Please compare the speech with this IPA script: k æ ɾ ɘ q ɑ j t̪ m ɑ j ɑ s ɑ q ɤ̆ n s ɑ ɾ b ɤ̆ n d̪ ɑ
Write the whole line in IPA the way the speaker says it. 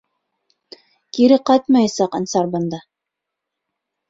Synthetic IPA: k i ɾ ɘ q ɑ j t̪ m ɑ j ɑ s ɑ q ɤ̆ n s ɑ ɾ b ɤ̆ n d̪ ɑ

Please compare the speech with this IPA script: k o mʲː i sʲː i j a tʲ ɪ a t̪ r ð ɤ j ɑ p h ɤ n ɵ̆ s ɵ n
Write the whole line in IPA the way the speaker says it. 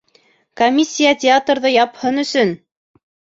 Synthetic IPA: k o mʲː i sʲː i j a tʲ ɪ a t̪ r ð ɤ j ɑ p h ɤ n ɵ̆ s ɵ n

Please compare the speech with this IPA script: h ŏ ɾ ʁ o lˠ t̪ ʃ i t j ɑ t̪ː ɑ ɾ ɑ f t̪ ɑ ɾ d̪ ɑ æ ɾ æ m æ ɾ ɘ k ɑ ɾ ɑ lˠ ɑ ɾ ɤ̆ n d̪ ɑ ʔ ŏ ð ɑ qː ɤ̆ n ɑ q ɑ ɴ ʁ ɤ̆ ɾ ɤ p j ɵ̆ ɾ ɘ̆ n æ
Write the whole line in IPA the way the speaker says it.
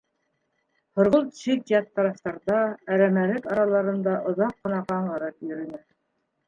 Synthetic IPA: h ŏ ɾ ʁ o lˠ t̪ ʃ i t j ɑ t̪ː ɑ ɾ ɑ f t̪ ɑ ɾ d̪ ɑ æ ɾ æ m æ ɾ ɘ k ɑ ɾ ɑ lˠ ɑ ɾ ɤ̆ n d̪ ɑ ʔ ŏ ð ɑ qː ɤ̆ n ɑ q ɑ ɴ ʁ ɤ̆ ɾ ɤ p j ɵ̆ ɾ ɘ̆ n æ

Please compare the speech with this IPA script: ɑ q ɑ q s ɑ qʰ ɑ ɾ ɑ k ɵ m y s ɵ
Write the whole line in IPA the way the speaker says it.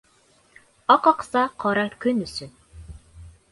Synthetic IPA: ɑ q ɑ q s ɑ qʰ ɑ ɾ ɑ k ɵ n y s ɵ

